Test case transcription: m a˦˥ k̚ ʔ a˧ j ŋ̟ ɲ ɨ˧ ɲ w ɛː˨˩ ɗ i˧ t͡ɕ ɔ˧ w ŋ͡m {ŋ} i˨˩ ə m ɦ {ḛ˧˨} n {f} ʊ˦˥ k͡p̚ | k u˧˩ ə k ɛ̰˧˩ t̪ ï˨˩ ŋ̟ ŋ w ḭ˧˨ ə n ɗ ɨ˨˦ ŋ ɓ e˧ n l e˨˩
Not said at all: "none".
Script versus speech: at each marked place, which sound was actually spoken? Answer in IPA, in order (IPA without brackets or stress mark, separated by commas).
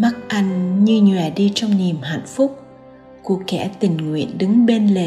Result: n, a̰˧˨, f